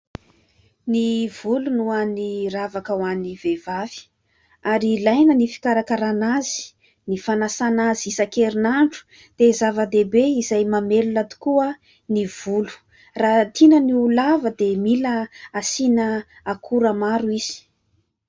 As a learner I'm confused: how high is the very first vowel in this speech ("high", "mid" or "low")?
high